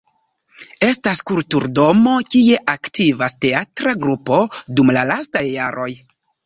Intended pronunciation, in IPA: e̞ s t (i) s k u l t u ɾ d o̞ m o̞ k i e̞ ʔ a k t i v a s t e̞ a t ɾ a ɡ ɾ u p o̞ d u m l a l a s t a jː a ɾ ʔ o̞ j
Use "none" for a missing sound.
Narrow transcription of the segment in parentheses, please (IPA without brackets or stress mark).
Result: a